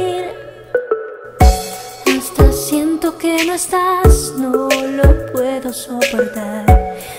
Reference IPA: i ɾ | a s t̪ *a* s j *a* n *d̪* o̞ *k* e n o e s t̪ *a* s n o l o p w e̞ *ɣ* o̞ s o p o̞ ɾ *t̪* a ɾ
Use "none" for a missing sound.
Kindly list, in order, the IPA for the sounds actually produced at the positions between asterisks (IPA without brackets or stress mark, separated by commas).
a, e, t̪, k, a, ð, t̪